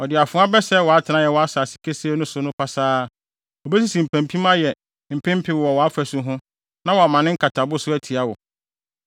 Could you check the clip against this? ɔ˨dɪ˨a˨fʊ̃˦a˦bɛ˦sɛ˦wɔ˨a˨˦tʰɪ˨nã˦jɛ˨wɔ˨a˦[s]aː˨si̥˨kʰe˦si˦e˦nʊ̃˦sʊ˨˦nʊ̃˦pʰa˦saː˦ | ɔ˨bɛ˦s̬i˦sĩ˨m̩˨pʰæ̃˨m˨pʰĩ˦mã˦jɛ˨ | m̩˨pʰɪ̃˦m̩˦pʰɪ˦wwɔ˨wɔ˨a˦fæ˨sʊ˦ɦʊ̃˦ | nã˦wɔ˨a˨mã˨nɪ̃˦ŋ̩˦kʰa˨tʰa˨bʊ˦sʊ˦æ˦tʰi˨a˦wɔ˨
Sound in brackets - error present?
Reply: no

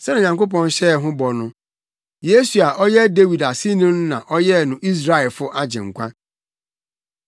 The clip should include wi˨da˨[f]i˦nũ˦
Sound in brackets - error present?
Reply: yes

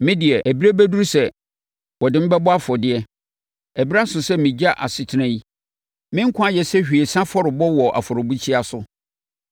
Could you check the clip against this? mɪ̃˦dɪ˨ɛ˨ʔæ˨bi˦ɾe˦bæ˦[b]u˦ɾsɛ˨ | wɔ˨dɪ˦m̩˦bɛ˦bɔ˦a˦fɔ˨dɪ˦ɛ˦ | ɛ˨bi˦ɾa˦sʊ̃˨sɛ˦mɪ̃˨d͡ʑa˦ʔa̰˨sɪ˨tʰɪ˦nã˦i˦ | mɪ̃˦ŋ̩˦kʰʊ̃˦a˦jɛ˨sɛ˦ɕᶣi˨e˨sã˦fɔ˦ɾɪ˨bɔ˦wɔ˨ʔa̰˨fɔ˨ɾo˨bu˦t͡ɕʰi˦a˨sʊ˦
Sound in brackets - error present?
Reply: yes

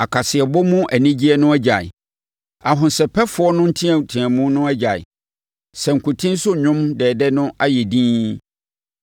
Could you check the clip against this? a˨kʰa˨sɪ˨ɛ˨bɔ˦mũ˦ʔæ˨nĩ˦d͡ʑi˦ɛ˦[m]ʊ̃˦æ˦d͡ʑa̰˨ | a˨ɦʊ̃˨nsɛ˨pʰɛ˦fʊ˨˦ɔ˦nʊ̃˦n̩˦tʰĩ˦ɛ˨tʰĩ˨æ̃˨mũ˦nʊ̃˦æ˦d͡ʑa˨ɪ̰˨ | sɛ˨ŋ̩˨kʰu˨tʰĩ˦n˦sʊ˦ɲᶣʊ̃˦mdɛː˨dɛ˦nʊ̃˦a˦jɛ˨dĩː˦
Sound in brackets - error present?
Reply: yes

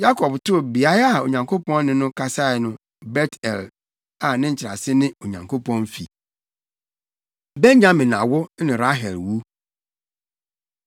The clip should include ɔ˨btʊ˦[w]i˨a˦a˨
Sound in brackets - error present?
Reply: yes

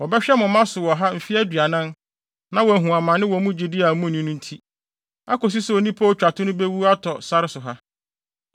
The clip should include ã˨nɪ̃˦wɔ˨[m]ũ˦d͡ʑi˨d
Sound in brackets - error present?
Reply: no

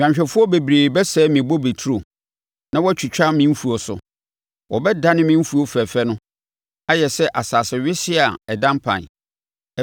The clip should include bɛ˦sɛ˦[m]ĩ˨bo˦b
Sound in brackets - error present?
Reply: no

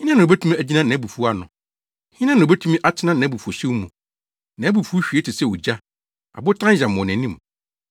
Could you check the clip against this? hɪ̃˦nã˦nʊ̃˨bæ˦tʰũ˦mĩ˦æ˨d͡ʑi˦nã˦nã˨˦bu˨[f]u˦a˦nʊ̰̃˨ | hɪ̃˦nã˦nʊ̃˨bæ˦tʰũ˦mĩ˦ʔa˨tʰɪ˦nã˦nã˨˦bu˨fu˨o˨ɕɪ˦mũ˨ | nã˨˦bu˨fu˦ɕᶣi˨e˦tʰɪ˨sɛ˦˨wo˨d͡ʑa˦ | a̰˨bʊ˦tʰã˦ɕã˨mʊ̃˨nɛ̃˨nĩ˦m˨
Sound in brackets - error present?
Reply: no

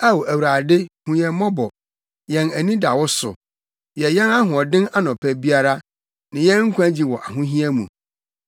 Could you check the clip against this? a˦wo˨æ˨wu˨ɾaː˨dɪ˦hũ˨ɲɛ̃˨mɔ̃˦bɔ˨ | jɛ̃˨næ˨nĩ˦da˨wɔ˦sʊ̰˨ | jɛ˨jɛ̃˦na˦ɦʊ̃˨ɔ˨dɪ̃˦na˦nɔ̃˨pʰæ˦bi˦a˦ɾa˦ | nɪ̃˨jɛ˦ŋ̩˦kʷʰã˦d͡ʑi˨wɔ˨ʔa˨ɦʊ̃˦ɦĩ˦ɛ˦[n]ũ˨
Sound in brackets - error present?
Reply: yes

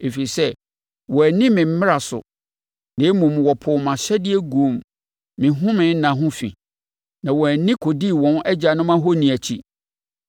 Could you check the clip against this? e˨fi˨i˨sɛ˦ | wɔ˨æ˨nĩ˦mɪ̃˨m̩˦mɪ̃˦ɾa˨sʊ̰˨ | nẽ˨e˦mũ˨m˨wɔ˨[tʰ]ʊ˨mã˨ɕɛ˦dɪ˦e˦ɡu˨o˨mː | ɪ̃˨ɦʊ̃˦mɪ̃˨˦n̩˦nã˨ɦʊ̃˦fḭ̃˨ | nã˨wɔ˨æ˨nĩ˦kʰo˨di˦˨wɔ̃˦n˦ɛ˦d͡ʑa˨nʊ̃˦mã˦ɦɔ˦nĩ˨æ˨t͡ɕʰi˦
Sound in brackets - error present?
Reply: yes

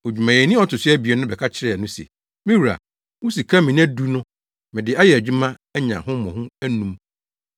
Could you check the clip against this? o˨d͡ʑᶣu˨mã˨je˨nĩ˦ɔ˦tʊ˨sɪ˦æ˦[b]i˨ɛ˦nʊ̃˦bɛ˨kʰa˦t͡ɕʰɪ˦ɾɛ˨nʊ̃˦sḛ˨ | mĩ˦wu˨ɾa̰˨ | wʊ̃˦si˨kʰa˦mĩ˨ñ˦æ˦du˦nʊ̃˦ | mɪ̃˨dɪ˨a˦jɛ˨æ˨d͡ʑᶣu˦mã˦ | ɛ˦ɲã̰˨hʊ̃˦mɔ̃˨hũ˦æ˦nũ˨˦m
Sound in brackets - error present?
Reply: no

